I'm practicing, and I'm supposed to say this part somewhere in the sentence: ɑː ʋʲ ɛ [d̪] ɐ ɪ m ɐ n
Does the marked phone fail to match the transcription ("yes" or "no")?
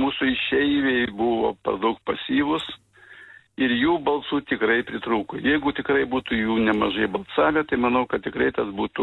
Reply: yes